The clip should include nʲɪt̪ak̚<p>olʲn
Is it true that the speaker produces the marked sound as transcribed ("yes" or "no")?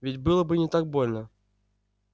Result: no